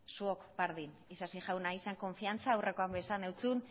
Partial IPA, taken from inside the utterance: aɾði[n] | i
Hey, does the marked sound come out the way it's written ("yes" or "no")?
yes